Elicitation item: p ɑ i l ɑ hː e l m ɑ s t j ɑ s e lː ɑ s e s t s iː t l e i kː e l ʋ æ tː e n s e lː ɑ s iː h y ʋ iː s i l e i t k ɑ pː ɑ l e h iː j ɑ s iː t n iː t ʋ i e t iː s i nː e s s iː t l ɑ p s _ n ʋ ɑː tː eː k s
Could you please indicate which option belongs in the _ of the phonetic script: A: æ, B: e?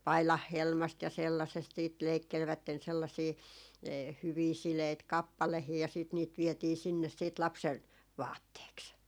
B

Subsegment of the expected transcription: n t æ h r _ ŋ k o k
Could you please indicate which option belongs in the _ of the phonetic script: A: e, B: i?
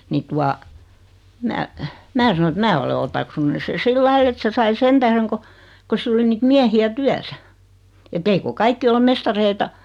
A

